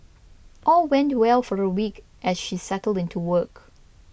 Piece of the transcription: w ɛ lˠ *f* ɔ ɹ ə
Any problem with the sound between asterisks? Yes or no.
no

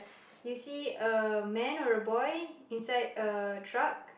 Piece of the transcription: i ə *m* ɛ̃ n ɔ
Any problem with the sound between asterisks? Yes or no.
no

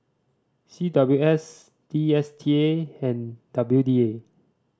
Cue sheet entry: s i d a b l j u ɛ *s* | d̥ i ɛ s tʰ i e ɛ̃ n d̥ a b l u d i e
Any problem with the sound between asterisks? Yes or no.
no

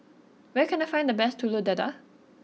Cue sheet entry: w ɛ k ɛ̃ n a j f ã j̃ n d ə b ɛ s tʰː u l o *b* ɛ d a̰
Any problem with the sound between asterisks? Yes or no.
yes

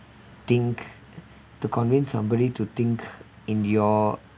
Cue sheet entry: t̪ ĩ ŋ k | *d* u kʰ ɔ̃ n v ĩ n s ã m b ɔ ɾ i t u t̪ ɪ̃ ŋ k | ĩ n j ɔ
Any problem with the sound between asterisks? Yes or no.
yes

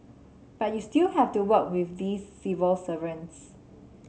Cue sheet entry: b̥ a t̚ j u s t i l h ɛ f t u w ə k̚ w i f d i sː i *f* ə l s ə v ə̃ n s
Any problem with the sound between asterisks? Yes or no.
yes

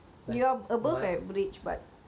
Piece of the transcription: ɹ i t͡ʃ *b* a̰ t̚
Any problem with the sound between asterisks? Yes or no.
no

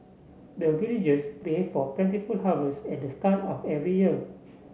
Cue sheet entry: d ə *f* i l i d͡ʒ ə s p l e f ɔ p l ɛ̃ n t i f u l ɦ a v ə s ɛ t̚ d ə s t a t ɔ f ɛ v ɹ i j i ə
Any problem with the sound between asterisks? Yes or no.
yes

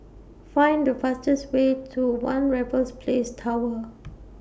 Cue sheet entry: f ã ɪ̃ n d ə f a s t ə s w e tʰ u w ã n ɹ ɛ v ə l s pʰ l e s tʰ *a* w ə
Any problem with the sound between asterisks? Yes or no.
no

